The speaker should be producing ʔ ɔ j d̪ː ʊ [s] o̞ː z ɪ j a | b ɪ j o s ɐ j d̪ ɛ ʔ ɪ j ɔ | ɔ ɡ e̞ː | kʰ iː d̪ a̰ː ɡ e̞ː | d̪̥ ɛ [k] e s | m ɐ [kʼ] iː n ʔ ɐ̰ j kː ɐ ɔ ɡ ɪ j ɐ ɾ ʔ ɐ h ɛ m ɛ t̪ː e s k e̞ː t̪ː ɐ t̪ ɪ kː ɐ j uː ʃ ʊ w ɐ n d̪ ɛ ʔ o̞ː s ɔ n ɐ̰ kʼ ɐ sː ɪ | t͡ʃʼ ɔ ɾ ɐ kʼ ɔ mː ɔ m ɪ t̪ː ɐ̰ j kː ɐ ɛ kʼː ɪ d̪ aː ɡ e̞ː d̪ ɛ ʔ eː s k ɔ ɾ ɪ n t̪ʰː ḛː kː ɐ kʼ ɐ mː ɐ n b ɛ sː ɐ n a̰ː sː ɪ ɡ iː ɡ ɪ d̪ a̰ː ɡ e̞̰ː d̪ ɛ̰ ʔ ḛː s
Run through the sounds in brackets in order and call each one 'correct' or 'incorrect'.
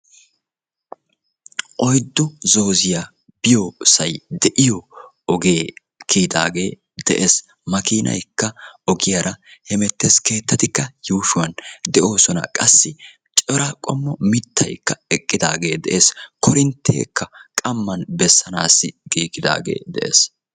incorrect, incorrect, incorrect

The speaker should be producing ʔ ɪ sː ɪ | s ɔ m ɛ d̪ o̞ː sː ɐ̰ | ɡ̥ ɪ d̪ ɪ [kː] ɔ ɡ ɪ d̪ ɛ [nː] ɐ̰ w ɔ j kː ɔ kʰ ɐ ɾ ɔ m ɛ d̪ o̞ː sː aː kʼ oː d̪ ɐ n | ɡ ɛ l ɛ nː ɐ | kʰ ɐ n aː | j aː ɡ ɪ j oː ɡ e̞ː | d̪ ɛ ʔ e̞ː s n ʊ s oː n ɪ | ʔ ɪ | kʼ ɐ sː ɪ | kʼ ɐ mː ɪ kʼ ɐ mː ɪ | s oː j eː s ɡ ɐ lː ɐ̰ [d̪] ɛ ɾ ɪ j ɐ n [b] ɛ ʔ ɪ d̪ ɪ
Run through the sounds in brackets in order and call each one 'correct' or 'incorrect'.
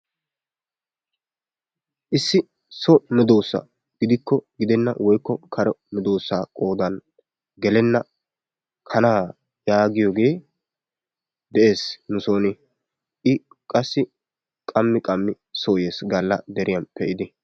correct, correct, correct, incorrect

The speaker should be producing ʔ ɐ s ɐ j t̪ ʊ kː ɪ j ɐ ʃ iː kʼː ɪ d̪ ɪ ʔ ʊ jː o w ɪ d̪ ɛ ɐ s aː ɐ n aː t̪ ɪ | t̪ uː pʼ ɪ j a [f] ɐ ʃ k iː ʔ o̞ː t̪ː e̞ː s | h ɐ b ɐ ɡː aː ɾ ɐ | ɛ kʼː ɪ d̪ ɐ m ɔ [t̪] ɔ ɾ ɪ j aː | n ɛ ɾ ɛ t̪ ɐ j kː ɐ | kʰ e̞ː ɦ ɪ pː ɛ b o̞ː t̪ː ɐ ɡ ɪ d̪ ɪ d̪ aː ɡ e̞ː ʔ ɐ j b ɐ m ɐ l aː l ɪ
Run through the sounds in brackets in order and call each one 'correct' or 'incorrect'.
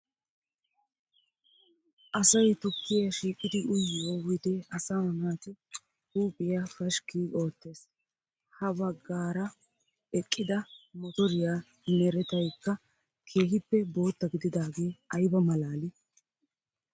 correct, correct

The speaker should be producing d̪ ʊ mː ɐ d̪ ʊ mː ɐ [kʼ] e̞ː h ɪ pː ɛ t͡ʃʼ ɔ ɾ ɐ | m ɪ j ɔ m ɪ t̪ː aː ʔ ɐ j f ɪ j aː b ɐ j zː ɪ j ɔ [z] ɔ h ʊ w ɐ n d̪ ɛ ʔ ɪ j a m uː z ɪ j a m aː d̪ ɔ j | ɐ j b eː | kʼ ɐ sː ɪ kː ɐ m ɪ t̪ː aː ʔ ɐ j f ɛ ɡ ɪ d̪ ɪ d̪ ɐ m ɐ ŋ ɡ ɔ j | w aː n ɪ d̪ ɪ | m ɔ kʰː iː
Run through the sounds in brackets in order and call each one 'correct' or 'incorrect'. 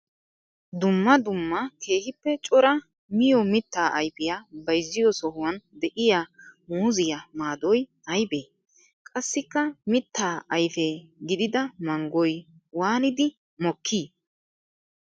incorrect, incorrect

